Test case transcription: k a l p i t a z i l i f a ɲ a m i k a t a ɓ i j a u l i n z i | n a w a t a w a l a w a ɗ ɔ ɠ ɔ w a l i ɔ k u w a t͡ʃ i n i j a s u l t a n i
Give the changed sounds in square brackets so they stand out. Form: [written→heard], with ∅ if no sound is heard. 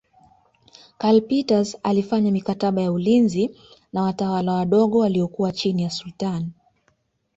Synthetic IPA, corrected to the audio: k a l p i t a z [i→a] l i f a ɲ a m i k a t a ɓ [i→a] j a u l i n z i | n a w a t a w a l a w a ɗ ɔ ɠ ɔ w a l i ɔ k u w a t͡ʃ i n i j a s u l t a n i